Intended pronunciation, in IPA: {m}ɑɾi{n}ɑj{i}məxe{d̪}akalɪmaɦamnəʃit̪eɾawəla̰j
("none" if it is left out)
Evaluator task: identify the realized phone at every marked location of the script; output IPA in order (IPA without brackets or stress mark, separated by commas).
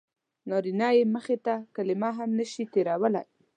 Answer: n, n, e, t̪